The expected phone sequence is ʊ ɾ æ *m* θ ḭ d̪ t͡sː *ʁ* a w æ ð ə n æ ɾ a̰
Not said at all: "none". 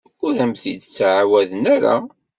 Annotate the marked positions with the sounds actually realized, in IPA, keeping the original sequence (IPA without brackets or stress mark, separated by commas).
m, ʕ